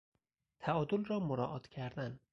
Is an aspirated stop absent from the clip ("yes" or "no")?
no